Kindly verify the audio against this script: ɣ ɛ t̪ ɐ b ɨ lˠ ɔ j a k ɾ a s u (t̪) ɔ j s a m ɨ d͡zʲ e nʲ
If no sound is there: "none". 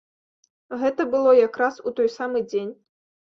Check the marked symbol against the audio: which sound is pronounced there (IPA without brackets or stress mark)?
t̪